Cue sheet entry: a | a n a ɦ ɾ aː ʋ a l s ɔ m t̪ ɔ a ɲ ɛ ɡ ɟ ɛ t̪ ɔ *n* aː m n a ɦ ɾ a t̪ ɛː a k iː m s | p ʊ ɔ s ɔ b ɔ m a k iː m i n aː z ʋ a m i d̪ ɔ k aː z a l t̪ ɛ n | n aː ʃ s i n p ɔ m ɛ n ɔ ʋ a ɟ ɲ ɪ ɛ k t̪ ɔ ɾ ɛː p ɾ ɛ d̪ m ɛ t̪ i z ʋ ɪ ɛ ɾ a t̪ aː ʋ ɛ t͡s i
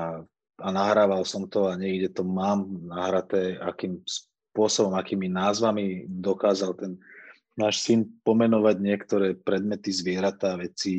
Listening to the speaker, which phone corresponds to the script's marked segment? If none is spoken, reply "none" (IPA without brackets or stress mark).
m